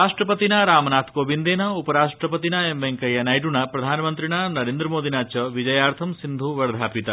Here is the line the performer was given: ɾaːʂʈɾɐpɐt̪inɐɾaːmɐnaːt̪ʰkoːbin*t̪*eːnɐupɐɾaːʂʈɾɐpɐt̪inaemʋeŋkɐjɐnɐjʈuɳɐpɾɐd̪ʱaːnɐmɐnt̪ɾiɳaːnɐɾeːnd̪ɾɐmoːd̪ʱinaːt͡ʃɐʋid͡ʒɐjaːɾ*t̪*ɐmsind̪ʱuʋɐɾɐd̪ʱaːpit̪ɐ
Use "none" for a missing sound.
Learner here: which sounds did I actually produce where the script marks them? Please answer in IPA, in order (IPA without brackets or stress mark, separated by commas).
d̪, t̪ʰ